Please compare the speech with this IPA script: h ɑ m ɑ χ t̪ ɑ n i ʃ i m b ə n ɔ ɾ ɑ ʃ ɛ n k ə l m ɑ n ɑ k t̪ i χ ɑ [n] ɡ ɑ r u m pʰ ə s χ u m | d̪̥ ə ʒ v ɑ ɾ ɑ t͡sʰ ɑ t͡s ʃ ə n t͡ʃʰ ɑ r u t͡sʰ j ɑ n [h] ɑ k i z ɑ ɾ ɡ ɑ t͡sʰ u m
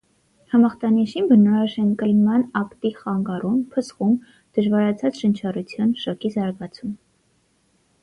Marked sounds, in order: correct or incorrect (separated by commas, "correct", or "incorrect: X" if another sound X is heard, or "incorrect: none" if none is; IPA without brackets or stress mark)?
incorrect: ŋ, incorrect: ʃ